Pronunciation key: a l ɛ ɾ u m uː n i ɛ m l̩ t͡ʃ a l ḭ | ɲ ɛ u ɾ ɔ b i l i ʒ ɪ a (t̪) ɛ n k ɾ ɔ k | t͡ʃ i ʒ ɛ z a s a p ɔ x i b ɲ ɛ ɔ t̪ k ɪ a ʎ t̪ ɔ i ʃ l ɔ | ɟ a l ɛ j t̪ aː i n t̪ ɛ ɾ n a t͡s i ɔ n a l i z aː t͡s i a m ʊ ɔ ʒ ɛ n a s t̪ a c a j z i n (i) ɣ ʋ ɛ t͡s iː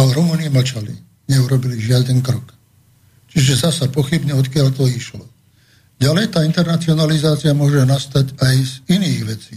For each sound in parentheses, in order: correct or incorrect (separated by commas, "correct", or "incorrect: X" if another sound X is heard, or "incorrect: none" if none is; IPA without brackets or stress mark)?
incorrect: d̪, incorrect: iː